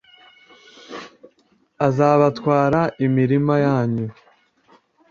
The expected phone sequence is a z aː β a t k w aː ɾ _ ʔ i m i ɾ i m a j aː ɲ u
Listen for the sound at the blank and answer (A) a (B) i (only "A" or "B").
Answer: A